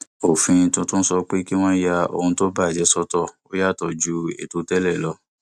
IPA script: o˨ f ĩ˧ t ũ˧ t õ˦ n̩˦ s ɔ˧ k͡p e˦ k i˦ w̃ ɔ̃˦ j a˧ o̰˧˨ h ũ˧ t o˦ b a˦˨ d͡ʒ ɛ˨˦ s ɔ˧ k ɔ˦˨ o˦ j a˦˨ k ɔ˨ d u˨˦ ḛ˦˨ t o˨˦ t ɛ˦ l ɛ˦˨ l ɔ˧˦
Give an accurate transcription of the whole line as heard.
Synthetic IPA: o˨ f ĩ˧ t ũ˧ t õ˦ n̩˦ s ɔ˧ k͡p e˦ k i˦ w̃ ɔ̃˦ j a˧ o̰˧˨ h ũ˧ t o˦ b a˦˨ d͡ʒ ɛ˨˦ s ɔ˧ t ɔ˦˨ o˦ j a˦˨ t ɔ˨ d͡ʒ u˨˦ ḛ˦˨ t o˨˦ t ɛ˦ l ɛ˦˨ l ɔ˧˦